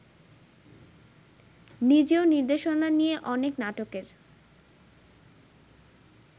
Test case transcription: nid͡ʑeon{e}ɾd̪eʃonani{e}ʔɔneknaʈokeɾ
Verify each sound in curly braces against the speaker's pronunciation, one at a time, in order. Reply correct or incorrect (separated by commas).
incorrect, correct